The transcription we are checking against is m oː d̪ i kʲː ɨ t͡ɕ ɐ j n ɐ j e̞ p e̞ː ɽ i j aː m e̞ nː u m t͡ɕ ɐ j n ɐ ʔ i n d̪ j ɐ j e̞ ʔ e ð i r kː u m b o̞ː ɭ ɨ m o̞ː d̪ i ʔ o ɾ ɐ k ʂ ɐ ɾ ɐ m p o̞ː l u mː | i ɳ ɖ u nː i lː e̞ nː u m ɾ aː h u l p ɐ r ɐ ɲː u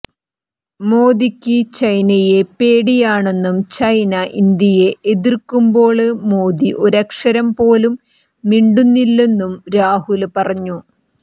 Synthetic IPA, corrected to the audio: m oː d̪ i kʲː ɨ t͡ɕ ɐ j n ɐ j e̞ p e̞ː ɽ i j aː ɳ e̞ nː u m t͡ɕ ɐ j n ɐ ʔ i n d̪ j ɐ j e̞ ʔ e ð i r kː u m b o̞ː ɭ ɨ m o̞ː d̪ i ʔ o ɾ ɐ k ʂ ɐ ɾ ɐ m p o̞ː l u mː | i ɳ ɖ u nː i lː e̞ nː u m ɾ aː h u l p ɐ r ɐ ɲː u